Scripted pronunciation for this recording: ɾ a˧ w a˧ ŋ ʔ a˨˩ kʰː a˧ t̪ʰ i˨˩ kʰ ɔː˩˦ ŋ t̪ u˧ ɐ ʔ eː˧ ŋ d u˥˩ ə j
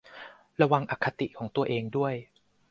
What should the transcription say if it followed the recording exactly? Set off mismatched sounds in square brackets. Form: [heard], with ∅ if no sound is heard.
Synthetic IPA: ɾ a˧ w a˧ ŋ ʔ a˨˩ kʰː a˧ [t̪] i˨˩ kʰ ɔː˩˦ ŋ t̪ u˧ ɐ ʔ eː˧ ŋ d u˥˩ ə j

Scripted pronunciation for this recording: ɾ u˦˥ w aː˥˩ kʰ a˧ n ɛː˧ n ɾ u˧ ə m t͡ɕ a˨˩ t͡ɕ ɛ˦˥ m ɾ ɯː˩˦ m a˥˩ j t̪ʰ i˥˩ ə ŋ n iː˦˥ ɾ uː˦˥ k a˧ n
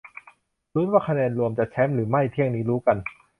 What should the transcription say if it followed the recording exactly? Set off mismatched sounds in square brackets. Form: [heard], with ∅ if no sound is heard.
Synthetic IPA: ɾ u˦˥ w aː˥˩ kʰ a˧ n ɛː˧ n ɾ u˧ ə m t͡ɕ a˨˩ [t͡ɕʰ] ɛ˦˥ m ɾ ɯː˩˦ m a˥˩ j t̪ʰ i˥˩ ə ŋ n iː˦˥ ɾ uː˦˥ k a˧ n

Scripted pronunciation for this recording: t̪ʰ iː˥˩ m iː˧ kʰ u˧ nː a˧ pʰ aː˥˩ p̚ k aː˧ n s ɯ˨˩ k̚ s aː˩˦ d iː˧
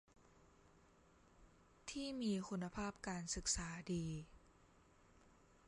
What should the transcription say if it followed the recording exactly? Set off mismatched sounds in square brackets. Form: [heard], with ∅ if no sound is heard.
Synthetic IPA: t̪ʰ iː˥˩ m iː˧ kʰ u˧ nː a˧ pʰ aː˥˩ p̚ k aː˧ n s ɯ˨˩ k̚ s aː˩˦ d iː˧

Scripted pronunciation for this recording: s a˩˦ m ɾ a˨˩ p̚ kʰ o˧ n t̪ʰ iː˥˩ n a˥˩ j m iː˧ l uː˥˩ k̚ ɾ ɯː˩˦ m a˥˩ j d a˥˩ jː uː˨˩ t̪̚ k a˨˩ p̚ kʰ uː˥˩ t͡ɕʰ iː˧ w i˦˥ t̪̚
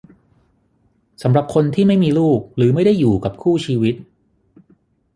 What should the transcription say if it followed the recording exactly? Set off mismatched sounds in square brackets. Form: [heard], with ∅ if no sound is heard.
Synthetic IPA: s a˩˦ m ɾ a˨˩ p̚ kʰ o˧ n t̪ʰ iː˥˩ [m] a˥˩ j m iː˧ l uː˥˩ k̚ ɾ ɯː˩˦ m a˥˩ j d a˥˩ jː uː˨˩ [∅] k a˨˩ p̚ kʰ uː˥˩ t͡ɕʰ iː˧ w i˦˥ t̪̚

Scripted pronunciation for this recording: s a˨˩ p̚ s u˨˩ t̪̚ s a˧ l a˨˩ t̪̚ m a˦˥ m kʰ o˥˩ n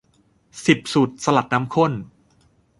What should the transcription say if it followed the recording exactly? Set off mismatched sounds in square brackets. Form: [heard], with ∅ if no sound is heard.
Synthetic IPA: s [i˨˩] p̚ s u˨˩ t̪̚ s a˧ l a˨˩ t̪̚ [n] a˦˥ m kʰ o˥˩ n

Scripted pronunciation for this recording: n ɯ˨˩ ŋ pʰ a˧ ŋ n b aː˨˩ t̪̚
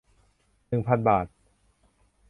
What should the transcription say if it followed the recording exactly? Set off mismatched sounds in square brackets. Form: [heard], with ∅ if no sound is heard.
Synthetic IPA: n ɯ˨˩ ŋ pʰ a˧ [∅] n b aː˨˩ t̪̚

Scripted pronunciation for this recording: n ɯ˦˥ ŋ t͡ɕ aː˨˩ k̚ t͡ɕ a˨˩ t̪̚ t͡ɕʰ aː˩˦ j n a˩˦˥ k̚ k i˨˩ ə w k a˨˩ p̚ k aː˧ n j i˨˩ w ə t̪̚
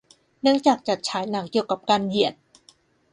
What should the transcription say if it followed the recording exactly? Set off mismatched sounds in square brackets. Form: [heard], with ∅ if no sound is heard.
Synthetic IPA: n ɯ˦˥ ŋ t͡ɕ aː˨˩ k̚ t͡ɕ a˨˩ t̪̚ t͡ɕʰ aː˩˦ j n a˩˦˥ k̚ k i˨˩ ə w k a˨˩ p̚ k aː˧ n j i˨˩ [∅] ə t̪̚

